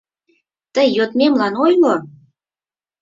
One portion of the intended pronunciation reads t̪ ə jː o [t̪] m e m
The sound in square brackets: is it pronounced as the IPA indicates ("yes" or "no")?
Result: yes